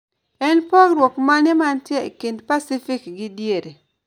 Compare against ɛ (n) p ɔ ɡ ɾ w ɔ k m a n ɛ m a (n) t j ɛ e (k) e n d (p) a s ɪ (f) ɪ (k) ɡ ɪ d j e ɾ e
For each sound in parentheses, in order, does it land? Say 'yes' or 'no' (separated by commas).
yes, yes, yes, yes, yes, yes